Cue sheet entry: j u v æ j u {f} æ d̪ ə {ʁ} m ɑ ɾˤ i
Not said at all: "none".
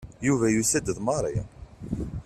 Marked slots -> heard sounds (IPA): s, ð

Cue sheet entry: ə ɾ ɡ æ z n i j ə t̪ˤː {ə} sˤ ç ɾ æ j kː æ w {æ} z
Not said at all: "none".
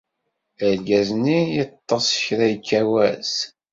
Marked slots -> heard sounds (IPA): ɑ, æ

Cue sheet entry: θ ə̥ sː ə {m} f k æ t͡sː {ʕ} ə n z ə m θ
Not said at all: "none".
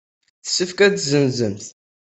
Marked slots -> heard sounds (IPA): none, z

